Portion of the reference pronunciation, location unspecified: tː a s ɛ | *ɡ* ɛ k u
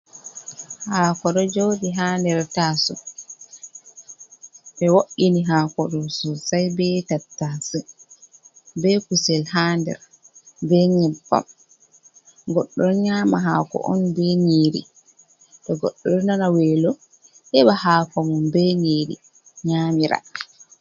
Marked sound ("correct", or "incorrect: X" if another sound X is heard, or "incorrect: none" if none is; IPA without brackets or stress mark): incorrect: b